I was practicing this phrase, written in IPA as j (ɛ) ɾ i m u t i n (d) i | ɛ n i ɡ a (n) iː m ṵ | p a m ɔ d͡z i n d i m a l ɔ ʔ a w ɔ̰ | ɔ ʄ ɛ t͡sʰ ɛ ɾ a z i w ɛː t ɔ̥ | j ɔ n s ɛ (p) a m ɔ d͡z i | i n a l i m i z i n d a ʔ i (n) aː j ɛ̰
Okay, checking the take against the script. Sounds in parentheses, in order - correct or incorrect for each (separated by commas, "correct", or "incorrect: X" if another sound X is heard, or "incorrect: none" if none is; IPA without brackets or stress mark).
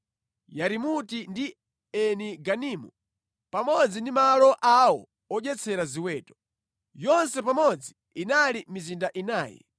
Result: incorrect: a, correct, correct, correct, correct